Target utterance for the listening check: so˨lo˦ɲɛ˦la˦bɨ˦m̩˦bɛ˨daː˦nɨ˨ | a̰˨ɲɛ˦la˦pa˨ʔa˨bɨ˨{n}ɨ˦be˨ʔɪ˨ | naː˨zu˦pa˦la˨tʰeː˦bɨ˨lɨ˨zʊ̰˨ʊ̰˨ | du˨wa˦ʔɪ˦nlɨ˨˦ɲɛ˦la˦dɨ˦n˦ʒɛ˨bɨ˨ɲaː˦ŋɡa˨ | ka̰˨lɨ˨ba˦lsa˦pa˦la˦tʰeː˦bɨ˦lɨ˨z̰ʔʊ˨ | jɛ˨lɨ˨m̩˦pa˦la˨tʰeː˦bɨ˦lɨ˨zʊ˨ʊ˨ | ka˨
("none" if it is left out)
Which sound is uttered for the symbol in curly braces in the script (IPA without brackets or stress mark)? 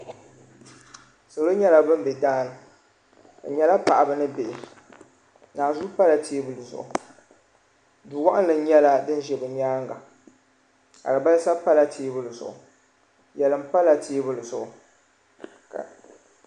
n